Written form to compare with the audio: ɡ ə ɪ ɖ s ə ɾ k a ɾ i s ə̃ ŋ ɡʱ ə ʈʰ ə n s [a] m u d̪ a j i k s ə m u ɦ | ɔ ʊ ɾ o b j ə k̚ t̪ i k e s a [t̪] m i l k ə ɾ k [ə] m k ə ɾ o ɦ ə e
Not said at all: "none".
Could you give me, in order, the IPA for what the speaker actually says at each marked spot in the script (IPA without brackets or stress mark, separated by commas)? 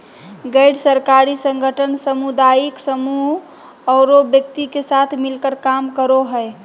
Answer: ə, t̪ʰ, a